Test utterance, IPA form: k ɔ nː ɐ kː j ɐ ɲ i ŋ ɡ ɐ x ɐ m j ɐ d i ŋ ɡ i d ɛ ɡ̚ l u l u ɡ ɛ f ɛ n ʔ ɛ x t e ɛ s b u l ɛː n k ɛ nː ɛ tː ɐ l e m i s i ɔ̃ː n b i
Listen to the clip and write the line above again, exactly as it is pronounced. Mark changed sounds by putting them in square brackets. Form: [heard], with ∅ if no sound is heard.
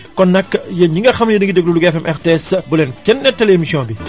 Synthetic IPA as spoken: k ɔ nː ɐ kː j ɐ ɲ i ŋ ɡ ɐ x ɐ m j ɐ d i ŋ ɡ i d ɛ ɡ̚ l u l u ɡ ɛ f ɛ [m] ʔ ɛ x t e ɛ s b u l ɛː n k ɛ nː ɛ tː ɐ l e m i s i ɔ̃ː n b i